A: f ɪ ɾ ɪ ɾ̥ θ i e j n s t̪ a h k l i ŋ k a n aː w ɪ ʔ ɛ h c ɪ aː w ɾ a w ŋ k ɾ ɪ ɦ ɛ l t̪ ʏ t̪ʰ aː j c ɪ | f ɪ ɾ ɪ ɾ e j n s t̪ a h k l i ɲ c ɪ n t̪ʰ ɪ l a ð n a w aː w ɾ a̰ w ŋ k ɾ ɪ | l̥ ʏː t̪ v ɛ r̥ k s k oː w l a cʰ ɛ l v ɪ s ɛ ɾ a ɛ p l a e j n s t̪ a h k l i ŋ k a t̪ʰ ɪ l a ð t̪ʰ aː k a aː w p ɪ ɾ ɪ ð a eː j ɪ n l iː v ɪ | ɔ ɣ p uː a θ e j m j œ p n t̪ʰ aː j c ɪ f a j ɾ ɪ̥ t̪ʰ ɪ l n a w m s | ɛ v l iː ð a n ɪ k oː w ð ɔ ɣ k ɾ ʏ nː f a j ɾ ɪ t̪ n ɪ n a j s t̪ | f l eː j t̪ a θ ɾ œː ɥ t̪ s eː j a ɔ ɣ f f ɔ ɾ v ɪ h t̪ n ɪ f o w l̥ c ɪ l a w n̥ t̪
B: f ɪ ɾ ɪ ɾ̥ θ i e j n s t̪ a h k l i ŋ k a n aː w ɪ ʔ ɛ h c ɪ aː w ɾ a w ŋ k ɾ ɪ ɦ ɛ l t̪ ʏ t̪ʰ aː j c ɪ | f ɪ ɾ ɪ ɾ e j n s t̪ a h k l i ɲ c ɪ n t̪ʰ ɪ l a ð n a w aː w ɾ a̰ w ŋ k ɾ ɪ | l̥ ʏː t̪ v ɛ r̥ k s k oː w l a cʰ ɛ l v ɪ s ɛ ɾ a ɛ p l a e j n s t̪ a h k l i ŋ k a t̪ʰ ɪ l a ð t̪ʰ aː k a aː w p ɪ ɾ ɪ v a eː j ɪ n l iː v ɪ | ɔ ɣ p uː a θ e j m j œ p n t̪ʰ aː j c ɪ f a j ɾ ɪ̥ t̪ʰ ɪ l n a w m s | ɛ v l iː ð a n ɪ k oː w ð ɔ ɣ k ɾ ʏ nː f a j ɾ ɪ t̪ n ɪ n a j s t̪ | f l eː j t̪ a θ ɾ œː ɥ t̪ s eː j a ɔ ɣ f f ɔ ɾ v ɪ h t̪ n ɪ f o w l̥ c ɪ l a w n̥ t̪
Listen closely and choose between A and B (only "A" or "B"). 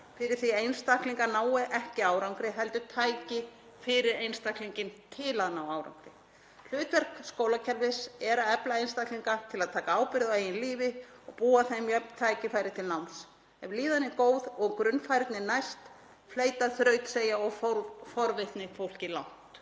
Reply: A